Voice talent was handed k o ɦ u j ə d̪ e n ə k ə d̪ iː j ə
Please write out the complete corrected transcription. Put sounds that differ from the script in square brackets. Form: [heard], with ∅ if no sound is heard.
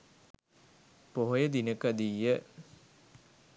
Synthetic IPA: [p] o ɦ [o] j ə d̪ [i] n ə k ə d̪ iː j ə

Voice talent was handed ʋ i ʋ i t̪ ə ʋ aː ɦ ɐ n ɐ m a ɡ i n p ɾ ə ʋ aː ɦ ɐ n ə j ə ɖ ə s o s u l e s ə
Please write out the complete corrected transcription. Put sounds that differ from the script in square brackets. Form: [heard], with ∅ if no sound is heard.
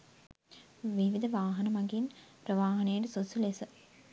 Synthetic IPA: ʋ i ʋ i [d̪] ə ʋ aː ɦ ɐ n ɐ m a ɡ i n p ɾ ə ʋ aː ɦ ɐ n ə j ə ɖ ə s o s u l e s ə

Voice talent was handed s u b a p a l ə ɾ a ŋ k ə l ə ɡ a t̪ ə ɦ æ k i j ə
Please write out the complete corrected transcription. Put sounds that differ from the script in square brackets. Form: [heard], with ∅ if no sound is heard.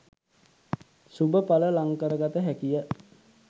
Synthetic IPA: s u b [ə] p a l ə [l] a ŋ k ə [ɾ] ə ɡ a t̪ ə ɦ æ k i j ə

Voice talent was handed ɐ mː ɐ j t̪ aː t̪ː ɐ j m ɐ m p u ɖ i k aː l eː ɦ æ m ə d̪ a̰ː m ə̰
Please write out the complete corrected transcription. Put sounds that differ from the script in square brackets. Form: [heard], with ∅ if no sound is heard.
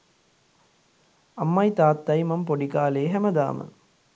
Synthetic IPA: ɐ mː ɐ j t̪ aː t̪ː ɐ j m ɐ m p [o] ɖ i k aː l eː ɦ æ m ə d̪ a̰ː m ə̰

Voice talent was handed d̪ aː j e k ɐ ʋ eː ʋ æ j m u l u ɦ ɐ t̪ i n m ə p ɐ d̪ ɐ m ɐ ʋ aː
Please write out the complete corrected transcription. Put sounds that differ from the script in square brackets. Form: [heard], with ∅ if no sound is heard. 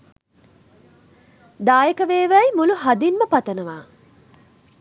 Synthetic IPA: d̪ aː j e k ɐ ʋ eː ʋ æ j m u l u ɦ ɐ [d̪] i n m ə p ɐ [t̪] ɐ [n] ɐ ʋ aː

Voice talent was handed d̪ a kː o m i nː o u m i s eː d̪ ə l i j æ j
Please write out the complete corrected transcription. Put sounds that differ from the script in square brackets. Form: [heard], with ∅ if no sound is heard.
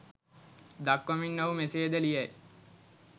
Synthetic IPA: d̪ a kː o m i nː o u m [e] s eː d̪ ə l i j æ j

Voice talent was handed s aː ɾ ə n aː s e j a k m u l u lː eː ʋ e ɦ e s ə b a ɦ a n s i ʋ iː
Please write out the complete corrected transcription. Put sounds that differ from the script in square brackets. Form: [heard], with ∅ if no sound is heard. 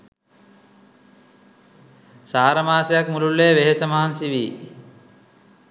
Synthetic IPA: s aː ɾ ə [m] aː s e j a k m u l u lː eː ʋ e ɦ e s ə [m] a ɦ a n s i ʋ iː

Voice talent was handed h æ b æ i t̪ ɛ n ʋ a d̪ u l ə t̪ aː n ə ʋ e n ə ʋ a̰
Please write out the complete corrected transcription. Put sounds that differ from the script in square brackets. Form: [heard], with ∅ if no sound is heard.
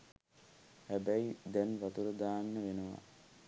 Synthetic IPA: h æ b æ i [d̪] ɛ n ʋ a [t̪] u [ɾ] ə [d̪] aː [nː] ə ʋ e n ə ʋ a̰

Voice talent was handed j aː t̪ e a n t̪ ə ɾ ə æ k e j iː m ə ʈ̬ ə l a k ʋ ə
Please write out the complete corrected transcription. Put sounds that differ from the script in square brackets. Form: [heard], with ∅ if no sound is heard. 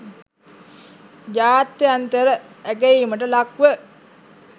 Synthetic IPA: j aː t̪ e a n t̪ ə ɾ ə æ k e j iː m ə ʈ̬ ə l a k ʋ ə

